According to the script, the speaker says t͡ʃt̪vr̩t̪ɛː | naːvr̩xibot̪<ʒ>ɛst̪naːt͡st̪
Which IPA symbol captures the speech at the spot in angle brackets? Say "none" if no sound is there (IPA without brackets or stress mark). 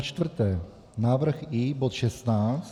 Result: ʃ